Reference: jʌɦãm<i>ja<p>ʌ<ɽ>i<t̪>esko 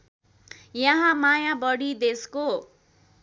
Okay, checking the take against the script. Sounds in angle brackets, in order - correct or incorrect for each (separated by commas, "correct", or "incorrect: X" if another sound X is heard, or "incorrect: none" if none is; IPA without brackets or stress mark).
incorrect: a, incorrect: b, correct, incorrect: d̪